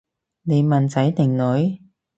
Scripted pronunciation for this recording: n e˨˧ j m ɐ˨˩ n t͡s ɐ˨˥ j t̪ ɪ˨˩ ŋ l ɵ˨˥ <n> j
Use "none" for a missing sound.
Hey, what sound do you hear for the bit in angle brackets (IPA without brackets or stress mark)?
none